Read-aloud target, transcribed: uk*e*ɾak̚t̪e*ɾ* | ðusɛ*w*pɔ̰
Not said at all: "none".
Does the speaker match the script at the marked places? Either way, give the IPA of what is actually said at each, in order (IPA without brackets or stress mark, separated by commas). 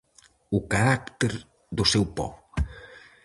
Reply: a, ɾ, w